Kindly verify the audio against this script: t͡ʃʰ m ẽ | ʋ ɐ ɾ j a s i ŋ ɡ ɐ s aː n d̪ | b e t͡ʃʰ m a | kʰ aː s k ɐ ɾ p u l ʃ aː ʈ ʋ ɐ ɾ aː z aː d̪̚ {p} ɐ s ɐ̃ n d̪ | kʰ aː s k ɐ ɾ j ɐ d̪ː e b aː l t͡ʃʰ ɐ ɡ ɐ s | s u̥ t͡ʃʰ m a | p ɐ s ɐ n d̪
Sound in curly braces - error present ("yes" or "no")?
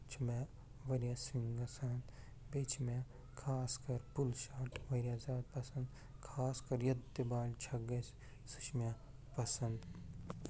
no